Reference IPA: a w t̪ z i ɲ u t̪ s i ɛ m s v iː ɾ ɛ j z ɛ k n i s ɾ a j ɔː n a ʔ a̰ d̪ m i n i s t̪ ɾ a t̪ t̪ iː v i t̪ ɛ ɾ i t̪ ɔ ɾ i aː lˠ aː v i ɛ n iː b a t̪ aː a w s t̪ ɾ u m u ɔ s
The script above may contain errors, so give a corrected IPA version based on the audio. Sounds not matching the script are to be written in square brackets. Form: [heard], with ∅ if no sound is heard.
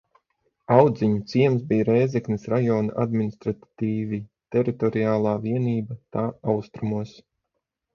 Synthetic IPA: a w [d̪] z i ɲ u t̪ s i ɛ m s [b] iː ɾ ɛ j z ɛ k n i s ɾ a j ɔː n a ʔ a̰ d̪ m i n i s t̪ ɾ a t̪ t̪ iː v i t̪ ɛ ɾ i t̪ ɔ ɾ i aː lˠ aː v i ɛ n iː b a t̪ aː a w s t̪ ɾ u m u ɔ s